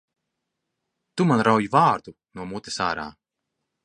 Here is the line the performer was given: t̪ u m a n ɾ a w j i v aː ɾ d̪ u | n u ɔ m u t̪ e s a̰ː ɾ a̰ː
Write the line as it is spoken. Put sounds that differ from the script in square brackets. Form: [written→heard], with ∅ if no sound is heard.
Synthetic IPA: t̪ u m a n ɾ a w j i v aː ɾ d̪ u | n u ɔ m u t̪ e s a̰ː ɾ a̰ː